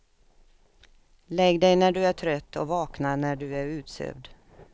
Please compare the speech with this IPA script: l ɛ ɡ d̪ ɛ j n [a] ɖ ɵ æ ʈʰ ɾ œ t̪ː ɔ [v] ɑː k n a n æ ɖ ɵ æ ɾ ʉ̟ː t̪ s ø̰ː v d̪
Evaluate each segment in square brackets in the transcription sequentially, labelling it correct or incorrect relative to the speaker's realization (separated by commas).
incorrect, correct